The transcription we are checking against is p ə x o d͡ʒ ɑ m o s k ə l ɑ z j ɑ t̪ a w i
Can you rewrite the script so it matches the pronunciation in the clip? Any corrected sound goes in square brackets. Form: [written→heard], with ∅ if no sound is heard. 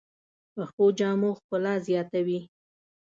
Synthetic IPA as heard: p ə x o d͡ʒ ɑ m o [s→x] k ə l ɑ z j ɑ t̪ a w i